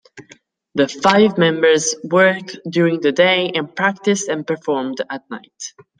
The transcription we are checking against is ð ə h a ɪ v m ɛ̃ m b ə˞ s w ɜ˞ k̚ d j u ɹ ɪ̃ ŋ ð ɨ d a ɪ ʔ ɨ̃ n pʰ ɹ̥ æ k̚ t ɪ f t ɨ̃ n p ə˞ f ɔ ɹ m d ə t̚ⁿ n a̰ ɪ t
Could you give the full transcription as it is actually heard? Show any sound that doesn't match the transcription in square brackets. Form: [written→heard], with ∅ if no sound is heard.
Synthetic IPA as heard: ð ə [h→f] a ɪ v m ɛ̃ m b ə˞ [s→z] w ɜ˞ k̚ d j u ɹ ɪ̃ ŋ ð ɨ d [a→e] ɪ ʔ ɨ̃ n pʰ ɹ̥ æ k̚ t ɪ [f→s] t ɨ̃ n p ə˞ f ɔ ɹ m d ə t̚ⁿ n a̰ ɪ t